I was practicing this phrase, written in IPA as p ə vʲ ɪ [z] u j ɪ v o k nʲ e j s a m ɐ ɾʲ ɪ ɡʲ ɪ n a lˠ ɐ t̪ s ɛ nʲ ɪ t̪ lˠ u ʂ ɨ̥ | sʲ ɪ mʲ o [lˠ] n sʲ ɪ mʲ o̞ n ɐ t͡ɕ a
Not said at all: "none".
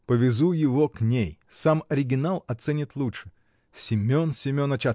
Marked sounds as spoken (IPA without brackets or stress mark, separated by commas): z, none